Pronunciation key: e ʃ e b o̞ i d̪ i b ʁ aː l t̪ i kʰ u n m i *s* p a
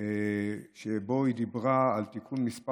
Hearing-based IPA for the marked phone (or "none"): s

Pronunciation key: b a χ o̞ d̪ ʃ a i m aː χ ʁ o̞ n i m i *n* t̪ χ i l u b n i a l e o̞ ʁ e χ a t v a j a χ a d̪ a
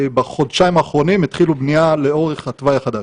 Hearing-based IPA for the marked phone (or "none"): none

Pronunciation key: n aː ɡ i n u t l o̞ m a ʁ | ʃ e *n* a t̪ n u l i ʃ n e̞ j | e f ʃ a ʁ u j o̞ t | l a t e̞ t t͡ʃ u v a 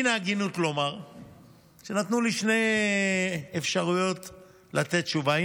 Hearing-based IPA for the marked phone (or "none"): n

